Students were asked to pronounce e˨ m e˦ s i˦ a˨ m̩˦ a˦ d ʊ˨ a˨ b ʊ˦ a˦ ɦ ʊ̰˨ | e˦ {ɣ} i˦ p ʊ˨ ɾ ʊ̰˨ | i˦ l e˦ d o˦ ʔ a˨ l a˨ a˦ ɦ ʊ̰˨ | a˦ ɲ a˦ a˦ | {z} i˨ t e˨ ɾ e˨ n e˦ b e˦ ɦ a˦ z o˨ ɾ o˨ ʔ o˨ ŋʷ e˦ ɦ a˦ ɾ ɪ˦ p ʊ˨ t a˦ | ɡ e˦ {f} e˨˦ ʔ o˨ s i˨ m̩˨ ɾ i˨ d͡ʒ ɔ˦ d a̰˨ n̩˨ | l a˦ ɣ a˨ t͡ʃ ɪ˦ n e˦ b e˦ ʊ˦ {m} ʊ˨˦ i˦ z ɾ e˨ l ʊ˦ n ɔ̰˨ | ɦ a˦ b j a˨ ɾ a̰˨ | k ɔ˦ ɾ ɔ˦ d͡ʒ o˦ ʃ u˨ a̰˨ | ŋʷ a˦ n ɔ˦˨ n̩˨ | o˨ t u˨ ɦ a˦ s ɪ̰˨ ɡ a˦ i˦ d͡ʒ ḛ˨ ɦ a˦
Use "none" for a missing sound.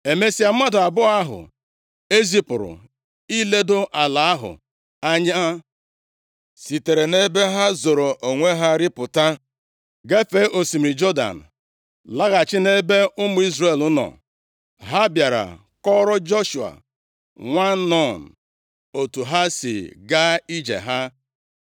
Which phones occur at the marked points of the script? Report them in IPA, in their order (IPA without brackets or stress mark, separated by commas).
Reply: z, s, f, m